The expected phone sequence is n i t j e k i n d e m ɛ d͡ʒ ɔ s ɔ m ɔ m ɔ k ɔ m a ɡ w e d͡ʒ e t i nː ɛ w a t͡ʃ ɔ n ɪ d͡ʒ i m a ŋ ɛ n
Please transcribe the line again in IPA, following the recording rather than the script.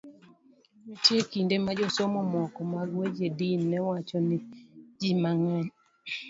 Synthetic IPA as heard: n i t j e k i n d e m a d͡ʒ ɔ s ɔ m ɔ m ɔ k ɔ m a ɡ w e d͡ʒ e d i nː ɛ w a t͡ʃ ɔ n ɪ d͡ʒ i m a ŋ ɛ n

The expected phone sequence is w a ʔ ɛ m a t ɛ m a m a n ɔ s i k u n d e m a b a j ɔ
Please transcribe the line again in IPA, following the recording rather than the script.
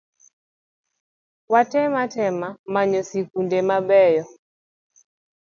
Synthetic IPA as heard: w a t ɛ m a t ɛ m a m a ɲ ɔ s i k u n d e m a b ɛ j ɔ

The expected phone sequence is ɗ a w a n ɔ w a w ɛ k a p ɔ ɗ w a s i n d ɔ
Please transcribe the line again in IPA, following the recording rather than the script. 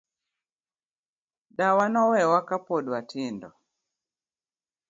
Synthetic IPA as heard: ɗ a w a n ɔ w ɛ w a k a p ɔ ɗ w a t i n d ɔ

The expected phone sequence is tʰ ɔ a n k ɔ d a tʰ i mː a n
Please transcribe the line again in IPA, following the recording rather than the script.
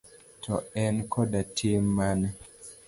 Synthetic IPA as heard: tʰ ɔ ɛ n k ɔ d a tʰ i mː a n

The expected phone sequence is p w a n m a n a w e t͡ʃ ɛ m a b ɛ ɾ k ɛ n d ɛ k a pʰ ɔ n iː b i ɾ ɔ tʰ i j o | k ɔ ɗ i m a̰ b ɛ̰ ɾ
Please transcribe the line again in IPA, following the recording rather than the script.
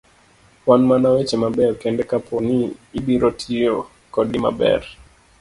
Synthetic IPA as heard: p w a n m a n a w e t͡ʃ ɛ m a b ɛ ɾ k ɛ n d ɛ k a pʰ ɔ n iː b i ɾ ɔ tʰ i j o | k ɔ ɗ i m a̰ b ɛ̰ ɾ

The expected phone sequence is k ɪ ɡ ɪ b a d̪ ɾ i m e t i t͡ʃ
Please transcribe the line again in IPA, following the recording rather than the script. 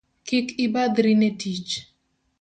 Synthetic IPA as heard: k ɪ k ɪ b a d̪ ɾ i n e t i t͡ʃ

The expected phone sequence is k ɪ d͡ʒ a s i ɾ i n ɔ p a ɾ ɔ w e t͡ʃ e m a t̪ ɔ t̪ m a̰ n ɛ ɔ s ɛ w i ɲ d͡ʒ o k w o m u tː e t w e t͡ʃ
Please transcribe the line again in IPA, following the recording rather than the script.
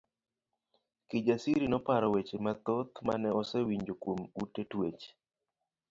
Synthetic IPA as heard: k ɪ d͡ʒ a s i ɾ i n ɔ p a ɾ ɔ w e t͡ʃ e m a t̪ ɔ t̪ m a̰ n ɛ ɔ s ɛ w i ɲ d͡ʒ o k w o m u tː e t w e t͡ʃ

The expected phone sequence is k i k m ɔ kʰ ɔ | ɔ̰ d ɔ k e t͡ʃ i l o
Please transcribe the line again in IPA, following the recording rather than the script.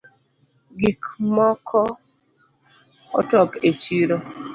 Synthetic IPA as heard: ɡ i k m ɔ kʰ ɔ | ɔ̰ t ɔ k e t͡ʃ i ɾ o

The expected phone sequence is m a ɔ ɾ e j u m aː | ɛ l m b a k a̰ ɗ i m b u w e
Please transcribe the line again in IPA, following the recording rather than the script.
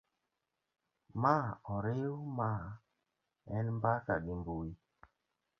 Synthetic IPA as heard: m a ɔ ɾ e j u m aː | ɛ l m b a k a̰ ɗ i m b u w i

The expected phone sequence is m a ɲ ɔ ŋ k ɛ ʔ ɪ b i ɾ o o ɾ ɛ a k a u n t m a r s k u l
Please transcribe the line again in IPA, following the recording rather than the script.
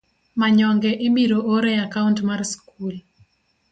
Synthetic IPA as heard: m a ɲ ɔ ŋ ɡ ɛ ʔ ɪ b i ɾ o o ɾ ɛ a k a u n t m a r s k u l

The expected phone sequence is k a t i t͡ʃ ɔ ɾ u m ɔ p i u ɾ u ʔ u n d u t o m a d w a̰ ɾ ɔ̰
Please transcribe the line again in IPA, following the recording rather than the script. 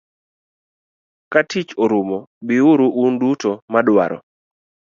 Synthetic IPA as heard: k a t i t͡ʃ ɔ ɾ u m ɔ b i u ɾ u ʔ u n d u t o m a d w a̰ ɾ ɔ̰

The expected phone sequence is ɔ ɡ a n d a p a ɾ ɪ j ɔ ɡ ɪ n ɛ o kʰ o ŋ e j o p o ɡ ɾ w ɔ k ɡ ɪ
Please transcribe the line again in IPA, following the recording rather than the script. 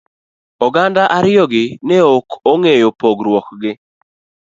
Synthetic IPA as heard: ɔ ɡ a n d a ʔ a ɾ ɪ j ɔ ɡ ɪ n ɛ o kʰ o ŋ e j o p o ɡ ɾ w ɔ k ɡ ɪ

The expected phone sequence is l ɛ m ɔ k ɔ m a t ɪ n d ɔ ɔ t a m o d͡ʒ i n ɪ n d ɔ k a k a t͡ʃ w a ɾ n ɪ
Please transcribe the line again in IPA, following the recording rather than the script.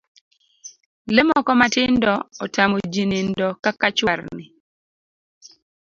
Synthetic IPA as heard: l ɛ m ɔ k ɔ m a t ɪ n d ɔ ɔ t a m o d͡ʒ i n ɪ n d ɔ k a k a t͡ʃ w a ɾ n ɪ

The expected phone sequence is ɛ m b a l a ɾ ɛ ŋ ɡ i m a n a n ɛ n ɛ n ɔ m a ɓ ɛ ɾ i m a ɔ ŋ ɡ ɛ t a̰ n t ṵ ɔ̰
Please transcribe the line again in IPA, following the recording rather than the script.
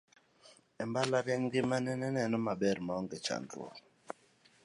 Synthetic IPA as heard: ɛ m b a l a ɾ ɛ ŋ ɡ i m a n ɛ n ɛ n ɛ n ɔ m a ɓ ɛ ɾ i m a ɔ ŋ ɡ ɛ t͡ʃ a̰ n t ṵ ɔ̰

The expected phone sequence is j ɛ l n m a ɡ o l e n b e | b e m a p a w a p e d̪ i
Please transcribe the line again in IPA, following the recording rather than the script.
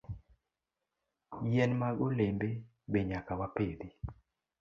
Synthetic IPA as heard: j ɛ n m a ɡ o l e m b e | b e ɲ a k a w a p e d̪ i

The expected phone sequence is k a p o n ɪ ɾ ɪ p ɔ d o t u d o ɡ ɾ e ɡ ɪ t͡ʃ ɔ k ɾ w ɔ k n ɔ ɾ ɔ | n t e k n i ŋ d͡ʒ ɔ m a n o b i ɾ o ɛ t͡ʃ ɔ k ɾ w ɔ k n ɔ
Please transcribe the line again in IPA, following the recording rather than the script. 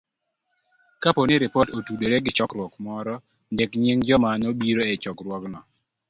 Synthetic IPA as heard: k a p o n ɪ ɾ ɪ p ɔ t o t u d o ɾ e ɡ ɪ t͡ʃ ɔ k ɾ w ɔ k m ɔ ɾ ɔ | n d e k ɲ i ŋ d͡ʒ ɔ m a n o b i ɾ o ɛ t͡ʃ ɔ k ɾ w ɔ k n ɔ

